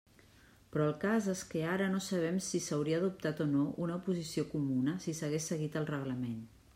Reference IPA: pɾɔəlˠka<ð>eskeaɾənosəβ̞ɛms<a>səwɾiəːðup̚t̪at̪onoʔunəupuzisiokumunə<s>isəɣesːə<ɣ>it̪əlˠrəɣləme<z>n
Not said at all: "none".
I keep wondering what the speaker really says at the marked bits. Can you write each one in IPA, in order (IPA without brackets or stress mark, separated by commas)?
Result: z, i, s, ɣ, none